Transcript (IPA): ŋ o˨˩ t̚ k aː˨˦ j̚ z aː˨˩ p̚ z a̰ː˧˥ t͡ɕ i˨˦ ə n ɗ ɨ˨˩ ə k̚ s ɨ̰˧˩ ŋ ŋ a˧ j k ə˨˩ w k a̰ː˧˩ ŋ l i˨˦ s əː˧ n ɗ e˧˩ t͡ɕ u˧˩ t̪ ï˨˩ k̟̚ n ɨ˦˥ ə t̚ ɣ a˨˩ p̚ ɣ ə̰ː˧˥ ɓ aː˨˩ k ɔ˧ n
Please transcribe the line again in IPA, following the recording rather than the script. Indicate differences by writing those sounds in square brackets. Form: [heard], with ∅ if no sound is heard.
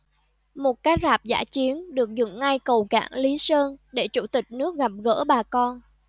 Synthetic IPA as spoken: [m] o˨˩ t̚ k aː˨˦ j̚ z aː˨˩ p̚ z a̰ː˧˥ t͡ɕ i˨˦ ə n ɗ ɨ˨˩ ə k̚ [z] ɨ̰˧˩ ŋ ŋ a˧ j k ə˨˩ w k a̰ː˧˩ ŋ l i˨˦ s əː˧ n ɗ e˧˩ t͡ɕ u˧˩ t̪ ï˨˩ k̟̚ n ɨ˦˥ ə [k̚] ɣ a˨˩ p̚ ɣ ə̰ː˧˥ ɓ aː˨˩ k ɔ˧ n